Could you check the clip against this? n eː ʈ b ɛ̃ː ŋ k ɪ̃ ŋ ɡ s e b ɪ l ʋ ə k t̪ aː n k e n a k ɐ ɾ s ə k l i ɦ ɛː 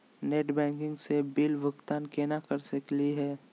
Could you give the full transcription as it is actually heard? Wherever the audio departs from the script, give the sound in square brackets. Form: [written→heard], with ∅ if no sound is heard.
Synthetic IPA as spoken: n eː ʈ b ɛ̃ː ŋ k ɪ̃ ŋ ɡ s e b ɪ l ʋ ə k t̪ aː n k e n a k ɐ ɾ s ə k l i ɦ ɛː